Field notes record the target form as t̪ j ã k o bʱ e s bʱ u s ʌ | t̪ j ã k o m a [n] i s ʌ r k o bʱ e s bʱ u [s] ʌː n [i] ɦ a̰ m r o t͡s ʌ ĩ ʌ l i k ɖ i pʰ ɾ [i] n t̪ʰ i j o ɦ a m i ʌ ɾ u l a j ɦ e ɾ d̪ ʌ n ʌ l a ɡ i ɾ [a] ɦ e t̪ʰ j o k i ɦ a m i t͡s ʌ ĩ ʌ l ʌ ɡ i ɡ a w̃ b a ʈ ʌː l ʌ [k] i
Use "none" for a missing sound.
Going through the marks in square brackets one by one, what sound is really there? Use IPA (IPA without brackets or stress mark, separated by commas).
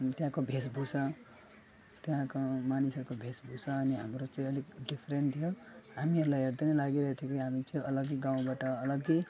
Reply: n, s, i, e, ʌ, ɡ